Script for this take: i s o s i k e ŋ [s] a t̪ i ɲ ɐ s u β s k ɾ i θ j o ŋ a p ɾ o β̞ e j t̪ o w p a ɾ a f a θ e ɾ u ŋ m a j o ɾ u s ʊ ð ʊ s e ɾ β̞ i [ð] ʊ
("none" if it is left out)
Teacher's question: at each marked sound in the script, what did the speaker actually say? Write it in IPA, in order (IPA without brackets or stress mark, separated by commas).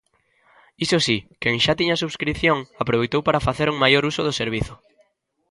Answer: ʃ, θ